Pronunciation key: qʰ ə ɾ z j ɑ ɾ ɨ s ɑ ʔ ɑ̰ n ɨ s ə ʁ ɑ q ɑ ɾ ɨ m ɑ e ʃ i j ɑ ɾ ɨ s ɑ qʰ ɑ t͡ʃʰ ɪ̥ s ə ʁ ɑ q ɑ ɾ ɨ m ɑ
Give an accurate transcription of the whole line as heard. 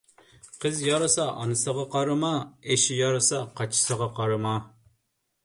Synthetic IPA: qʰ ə z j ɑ ɾ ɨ s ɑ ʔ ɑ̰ n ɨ s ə ʁ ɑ q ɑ ɾ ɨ m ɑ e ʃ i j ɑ ɾ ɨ s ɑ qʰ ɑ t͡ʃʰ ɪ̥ s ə ʁ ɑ q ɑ ɾ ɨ m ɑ